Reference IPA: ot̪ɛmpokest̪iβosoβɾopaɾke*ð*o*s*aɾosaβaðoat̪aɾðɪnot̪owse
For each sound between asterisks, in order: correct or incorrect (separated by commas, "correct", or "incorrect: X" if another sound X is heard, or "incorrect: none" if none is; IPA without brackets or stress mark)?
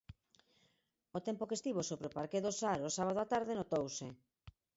correct, correct